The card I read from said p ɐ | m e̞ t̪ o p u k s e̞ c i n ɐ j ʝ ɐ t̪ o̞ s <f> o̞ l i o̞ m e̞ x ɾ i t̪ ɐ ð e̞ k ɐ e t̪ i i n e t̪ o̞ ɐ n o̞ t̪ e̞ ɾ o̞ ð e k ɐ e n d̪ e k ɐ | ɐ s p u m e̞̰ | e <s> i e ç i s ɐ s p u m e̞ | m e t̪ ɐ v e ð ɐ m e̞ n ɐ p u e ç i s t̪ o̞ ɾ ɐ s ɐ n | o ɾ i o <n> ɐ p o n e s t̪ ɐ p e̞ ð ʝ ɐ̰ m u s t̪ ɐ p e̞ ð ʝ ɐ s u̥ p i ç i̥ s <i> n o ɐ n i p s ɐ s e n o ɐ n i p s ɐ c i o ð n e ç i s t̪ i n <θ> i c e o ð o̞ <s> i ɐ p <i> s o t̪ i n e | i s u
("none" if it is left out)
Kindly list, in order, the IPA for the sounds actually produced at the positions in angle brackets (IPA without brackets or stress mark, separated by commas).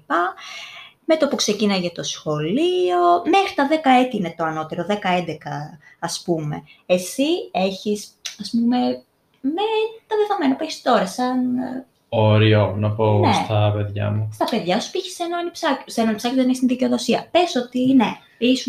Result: x, s, n, e, ð, s, e